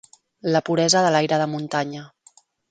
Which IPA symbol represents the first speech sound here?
l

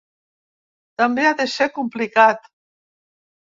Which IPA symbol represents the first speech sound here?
t̪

